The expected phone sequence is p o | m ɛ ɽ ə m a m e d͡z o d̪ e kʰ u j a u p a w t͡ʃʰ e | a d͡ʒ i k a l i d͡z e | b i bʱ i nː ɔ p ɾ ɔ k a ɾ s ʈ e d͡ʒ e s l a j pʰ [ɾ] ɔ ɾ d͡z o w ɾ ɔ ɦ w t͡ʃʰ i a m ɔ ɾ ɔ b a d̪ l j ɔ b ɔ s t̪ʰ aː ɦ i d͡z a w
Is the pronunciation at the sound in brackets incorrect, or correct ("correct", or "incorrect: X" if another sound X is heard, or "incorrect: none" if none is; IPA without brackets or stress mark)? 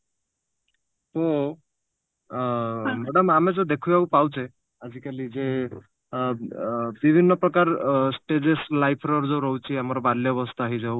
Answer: correct